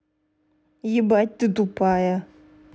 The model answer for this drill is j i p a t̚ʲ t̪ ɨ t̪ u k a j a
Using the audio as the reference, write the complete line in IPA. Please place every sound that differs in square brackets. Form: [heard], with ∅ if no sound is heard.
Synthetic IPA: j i [b] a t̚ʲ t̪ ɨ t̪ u [p] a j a